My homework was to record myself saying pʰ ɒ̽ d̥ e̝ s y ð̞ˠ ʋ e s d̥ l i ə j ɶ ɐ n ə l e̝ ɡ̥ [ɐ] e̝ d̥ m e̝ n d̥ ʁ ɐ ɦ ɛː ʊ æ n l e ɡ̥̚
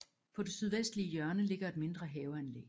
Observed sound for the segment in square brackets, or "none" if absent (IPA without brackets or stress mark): ɐ